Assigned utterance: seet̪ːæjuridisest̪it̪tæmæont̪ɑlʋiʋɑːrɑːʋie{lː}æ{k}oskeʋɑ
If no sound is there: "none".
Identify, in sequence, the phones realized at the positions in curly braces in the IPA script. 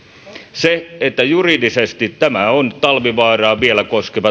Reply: l, k

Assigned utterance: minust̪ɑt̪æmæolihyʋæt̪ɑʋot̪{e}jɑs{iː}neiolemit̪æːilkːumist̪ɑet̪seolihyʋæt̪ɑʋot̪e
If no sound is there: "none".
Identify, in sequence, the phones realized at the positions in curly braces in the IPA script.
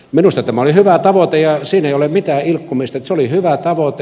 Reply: e, iː

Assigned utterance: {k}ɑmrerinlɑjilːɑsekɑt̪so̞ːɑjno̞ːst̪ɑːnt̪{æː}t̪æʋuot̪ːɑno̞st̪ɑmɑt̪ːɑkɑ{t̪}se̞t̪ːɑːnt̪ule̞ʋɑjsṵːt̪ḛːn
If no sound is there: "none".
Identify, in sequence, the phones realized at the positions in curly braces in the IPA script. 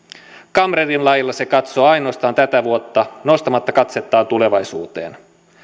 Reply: k, æ, t̪

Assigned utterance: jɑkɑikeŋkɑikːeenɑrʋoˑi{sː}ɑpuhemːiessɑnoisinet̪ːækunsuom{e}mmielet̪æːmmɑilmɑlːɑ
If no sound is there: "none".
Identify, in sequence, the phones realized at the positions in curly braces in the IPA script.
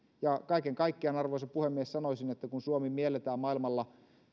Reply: s, i

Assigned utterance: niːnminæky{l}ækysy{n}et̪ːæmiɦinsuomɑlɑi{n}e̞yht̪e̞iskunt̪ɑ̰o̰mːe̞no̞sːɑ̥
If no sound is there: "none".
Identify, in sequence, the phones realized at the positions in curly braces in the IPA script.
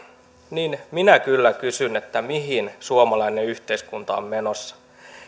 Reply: lː, n, n

